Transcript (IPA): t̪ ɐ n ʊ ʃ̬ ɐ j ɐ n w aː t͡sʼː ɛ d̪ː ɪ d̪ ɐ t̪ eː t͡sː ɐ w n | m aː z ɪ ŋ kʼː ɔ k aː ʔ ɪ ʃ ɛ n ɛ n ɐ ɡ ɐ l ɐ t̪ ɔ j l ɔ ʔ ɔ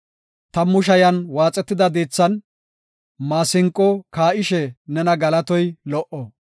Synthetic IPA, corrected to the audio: t̪ ɐ m ʊ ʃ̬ ɐ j ɐ n w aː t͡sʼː ɛ t̪ː ɪ d̪ ɐ d̪ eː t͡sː ɐ n | m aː s ɪ ŋ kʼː ɔ k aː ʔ ɪ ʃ ɛ n ɛ n ɐ ɡ ɐ l ɐ t̪ ɔ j l ɔ ʔ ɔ